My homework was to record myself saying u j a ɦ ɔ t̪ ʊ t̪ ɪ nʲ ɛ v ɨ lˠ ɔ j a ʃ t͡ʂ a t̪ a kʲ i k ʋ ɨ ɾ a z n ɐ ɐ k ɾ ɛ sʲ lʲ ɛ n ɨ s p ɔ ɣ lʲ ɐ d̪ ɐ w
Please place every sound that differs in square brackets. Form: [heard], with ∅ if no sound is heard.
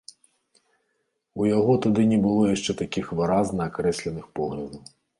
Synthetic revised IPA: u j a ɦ ɔ t̪ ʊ [d̪] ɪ nʲ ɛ [b] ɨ lˠ ɔ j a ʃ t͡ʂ [ɛ] t̪ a kʲ i [x] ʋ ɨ ɾ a z n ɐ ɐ k ɾ ɛ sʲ lʲ ɛ n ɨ [x] p ɔ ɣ lʲ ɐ d̪ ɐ w